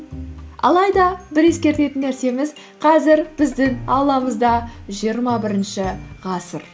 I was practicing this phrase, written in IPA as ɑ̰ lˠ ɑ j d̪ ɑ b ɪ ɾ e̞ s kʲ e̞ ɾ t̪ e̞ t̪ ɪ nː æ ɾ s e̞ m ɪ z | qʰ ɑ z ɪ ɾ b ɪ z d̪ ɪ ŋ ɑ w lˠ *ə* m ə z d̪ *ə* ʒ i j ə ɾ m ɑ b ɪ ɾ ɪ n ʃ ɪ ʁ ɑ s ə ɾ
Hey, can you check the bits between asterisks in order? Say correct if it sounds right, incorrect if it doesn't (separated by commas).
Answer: incorrect, incorrect